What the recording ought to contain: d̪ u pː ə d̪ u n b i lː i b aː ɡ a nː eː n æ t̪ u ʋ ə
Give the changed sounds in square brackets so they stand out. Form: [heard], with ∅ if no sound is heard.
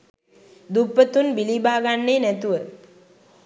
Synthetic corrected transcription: d̪ u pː ə [t̪] u n b i [l] i b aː ɡ a nː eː n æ t̪ u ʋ ə